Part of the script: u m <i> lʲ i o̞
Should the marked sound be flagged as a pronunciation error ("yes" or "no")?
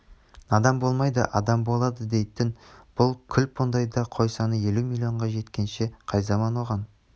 no